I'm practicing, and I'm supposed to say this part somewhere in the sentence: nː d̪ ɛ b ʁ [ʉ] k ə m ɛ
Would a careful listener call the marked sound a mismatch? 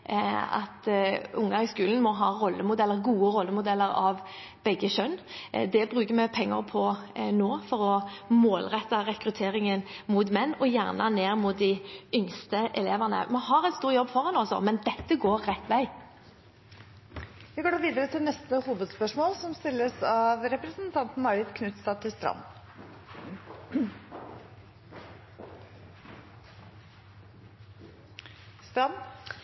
yes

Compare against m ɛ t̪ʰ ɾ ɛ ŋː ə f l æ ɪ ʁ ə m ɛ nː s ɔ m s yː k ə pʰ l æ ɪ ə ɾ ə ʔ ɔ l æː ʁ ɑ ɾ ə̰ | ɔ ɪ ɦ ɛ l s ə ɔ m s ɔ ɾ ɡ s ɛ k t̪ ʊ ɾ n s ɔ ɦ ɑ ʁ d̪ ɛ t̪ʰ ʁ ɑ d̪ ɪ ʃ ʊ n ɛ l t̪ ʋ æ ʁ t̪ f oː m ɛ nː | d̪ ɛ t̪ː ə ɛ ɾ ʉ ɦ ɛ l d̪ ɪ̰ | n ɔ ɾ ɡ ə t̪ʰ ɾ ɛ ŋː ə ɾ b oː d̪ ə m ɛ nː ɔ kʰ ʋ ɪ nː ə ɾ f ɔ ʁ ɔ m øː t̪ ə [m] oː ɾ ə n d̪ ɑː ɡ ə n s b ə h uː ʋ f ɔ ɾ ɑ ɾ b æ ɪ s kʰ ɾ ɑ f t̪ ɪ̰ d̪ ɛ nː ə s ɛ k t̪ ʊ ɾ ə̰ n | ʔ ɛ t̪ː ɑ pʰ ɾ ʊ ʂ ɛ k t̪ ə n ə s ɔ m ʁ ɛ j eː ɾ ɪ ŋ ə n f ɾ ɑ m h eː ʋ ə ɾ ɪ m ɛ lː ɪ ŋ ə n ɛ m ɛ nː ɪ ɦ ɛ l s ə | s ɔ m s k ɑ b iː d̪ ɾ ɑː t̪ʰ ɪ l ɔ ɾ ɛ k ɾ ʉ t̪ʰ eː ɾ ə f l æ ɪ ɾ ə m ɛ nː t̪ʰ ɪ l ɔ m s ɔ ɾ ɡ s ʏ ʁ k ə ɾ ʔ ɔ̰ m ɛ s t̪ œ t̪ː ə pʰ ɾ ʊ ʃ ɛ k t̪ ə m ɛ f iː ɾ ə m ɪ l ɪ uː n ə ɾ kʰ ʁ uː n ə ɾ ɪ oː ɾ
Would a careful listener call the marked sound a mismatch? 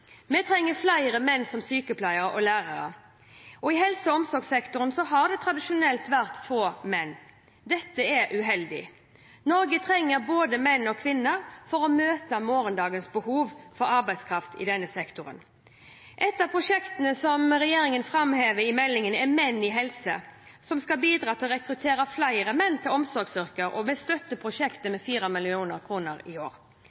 no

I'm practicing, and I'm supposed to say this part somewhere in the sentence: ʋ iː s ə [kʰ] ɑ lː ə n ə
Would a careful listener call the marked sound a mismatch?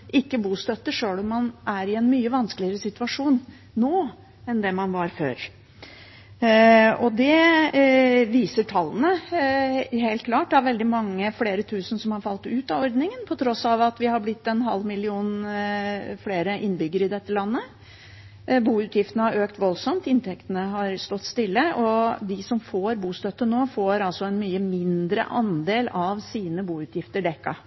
yes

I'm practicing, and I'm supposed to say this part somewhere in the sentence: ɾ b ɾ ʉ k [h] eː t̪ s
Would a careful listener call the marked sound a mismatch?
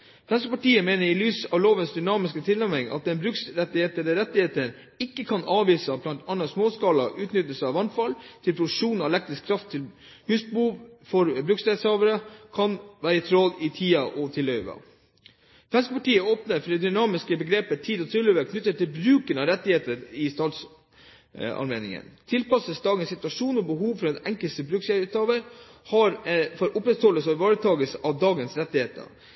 yes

